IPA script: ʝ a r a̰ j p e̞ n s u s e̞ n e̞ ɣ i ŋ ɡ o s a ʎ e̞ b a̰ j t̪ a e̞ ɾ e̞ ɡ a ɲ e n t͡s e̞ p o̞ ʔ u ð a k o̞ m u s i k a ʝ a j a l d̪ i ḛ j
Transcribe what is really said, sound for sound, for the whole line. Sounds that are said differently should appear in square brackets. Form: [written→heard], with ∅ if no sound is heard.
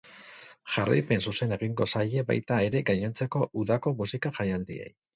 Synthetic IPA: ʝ a r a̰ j p e̞ n s u s e̞ n e̞ ɣ i ŋ ɡ o s a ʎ e̞ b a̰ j t̪ a e̞ ɾ e̞ ɡ a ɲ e n t͡s e̞ [p→k] o̞ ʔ u ð a k o̞ m u s i k a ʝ a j a l d̪ i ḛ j